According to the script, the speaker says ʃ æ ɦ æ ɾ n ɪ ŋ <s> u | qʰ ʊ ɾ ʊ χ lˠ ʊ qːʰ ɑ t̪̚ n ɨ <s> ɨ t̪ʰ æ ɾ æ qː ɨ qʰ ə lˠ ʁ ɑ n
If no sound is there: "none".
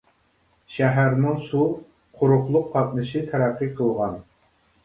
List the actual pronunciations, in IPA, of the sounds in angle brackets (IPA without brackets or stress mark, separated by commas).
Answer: s, ʃ